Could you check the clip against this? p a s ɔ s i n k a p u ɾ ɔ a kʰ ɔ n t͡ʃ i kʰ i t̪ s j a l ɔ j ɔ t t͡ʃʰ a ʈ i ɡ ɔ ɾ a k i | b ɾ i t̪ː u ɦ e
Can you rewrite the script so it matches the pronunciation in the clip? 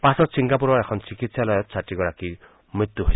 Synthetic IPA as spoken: p a s ɔ s i ŋ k a p u ɾ ɔ e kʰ ɔ n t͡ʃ i k i t̪ s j a l ɔ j ɔ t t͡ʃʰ a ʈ i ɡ ɔ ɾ a k i | m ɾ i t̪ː u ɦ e